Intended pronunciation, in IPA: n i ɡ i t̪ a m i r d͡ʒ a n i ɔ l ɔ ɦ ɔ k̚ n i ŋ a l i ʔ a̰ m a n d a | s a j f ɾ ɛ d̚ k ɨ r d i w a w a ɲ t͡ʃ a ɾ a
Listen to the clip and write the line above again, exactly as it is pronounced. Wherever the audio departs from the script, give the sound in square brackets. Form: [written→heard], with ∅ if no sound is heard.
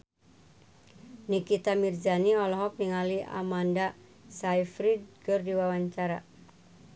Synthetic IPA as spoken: n i [ɡ→k] i t̪ a m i r d͡ʒ a n i ɔ l ɔ ɦ ɔ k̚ n i ŋ a l i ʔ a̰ m a n d a | s a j f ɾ [ɛ→i] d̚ k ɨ r d i w a w a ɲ t͡ʃ a ɾ a